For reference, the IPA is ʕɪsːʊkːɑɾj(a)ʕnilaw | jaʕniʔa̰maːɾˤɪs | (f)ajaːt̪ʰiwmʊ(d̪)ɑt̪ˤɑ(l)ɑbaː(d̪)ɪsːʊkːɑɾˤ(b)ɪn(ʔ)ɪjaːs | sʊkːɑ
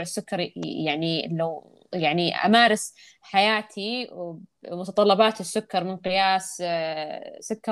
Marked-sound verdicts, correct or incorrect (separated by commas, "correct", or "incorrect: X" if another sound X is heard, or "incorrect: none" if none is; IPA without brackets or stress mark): correct, incorrect: ħ, incorrect: t̪, incorrect: lː, incorrect: t̪, incorrect: m, incorrect: q